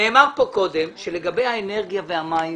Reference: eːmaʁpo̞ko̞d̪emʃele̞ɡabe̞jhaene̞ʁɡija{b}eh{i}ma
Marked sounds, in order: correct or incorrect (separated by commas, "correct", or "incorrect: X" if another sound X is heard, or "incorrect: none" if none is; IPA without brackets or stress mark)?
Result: incorrect: v, incorrect: a